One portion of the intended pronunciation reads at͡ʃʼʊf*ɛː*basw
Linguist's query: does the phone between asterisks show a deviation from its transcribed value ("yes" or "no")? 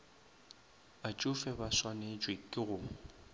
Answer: yes